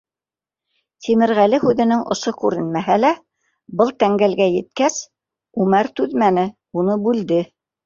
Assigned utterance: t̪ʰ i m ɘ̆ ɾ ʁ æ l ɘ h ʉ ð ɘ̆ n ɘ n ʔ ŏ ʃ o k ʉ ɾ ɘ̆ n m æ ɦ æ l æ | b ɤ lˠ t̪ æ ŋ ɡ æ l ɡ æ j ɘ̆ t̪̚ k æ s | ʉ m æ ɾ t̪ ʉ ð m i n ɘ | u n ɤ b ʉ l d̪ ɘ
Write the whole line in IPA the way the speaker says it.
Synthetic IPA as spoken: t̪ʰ i m ɘ̆ ɾ ʁ æ l ɘ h ʉ ð ɘ̆ n ɘ ŋ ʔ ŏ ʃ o k ʉ ɾ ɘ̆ n m æ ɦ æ l æ | b ɤ lˠ t̪ æ ŋ ɡ æ l ɡ æ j ɘ̆ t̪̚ k æ s | ʉ m æ ɾ t̪ ʉ ð m æ n ɘ | u n ɤ b ʉ l d̪ ɘ